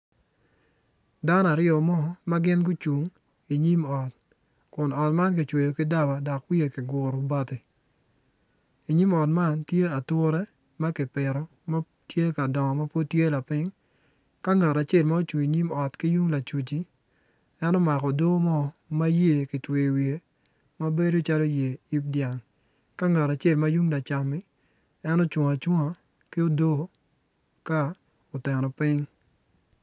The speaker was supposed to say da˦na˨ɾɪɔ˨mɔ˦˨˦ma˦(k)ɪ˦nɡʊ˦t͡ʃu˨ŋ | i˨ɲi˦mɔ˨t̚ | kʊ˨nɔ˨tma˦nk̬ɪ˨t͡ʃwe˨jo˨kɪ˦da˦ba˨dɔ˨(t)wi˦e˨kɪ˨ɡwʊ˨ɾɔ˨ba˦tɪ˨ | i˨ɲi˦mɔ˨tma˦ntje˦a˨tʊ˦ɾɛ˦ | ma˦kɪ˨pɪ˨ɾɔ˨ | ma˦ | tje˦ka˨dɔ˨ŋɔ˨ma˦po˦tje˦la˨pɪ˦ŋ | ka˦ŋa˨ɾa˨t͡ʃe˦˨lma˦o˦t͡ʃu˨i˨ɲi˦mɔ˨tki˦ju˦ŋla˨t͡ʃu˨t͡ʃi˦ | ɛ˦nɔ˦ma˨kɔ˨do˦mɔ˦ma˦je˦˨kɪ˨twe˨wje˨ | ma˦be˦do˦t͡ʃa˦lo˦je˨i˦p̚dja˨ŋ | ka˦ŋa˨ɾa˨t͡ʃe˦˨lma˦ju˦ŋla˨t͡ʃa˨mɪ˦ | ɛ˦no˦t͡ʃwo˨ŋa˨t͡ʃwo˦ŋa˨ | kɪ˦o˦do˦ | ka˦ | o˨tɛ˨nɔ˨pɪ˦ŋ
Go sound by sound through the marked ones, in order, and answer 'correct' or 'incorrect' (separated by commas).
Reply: incorrect, incorrect